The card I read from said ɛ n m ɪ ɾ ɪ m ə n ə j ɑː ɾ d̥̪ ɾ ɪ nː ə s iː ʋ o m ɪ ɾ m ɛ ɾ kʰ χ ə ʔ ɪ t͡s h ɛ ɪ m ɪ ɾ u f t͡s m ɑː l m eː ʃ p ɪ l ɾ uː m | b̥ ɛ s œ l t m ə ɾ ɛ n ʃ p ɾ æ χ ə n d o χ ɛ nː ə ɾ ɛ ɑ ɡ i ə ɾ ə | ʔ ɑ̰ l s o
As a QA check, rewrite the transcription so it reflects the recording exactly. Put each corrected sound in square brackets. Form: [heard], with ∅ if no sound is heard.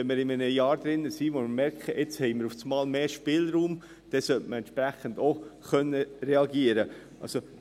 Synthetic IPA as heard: ɛ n m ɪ ɾ ɪ m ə n ə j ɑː ɾ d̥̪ ɾ ɪ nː ə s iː ʋ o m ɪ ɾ m ɛ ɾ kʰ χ ə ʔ ɪ t͡s h ɛ ɪ m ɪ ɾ u f t͡s m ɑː l m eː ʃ p ɪ l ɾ uː m | [d̥] ɛ s œ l t m ə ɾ ɛ n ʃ p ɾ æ χ ə n d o χ [œ] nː ə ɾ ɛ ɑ ɡ i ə ɾ ə | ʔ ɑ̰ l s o